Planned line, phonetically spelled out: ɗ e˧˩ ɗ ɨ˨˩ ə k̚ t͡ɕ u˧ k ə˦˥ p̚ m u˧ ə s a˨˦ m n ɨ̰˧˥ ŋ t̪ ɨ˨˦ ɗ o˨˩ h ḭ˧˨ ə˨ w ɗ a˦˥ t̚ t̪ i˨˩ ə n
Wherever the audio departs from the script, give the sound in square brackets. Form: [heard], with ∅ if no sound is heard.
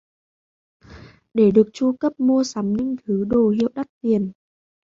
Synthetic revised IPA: ɗ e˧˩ ɗ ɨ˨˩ ə k̚ t͡ɕ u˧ k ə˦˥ p̚ m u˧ ə s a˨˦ m [ɲ] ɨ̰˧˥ ŋ [t̪ʰ] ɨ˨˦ ɗ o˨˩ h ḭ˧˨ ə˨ w ɗ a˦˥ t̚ t̪ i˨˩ ə n